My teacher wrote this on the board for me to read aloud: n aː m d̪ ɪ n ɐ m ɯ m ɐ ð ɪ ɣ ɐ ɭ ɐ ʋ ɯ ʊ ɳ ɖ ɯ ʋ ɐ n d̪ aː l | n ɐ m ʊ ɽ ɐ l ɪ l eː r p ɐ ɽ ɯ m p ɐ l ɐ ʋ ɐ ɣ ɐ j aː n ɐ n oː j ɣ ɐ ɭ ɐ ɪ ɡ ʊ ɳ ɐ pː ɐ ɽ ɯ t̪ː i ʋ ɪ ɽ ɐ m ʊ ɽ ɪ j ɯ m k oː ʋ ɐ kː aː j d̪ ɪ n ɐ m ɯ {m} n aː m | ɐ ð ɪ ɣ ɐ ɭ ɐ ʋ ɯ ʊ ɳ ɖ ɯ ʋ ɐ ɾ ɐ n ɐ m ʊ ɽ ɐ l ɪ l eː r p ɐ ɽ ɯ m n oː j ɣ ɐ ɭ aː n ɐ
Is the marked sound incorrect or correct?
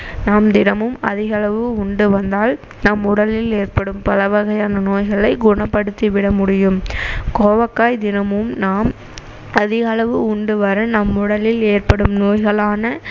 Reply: correct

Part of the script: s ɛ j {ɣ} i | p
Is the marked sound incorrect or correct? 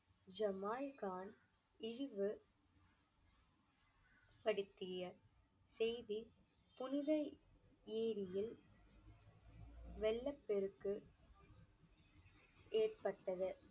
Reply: incorrect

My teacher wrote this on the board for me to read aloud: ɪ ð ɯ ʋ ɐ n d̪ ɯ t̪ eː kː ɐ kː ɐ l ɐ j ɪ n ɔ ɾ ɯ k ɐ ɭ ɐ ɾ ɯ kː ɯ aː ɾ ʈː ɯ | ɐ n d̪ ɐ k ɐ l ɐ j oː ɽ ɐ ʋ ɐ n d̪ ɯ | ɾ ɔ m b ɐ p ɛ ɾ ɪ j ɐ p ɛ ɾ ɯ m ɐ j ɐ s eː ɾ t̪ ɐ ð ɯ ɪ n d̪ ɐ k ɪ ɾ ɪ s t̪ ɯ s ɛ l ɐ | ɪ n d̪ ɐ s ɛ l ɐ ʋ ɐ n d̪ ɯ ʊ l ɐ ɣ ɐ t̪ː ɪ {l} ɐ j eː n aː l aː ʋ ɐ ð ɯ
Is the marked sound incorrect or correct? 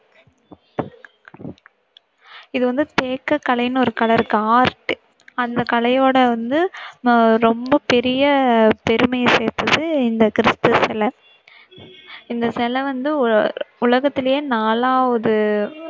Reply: correct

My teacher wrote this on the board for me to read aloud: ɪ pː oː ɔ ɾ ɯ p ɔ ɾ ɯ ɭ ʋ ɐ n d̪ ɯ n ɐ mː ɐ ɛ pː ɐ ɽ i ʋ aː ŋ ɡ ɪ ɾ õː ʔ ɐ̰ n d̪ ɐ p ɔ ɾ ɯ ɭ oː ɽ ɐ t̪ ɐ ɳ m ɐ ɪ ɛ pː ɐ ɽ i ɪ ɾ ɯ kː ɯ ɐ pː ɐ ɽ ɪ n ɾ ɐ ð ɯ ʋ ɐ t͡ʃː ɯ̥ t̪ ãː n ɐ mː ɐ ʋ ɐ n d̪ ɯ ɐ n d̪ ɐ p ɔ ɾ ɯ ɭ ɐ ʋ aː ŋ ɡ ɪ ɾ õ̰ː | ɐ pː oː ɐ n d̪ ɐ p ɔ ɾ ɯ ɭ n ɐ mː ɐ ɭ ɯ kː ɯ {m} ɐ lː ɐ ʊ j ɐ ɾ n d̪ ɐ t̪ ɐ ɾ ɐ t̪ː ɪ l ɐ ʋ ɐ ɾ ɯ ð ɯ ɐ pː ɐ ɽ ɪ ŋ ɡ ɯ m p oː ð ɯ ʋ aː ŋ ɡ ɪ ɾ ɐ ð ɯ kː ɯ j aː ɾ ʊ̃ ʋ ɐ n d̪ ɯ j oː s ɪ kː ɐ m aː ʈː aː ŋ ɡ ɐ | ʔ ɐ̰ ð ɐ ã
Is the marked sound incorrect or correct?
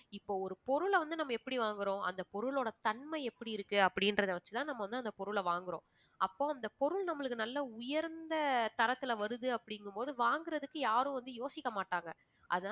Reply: incorrect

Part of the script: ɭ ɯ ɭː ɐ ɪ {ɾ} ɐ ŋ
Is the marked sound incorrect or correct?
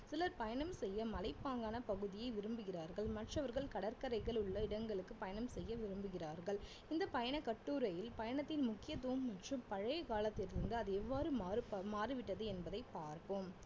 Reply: incorrect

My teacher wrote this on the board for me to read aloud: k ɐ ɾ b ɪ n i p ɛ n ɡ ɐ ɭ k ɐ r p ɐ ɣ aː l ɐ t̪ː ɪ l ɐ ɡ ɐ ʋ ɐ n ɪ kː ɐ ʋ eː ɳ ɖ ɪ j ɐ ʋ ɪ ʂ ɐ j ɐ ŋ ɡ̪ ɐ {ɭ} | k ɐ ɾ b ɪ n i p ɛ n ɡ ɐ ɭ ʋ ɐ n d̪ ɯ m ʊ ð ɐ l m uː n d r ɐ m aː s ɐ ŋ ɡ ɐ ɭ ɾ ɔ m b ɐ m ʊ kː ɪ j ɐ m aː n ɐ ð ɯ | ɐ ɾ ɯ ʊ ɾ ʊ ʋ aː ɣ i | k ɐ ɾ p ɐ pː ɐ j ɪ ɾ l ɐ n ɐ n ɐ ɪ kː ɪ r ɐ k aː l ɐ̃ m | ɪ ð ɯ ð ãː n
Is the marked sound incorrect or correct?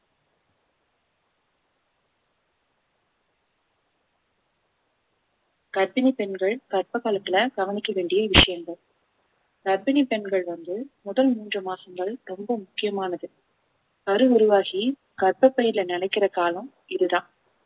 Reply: correct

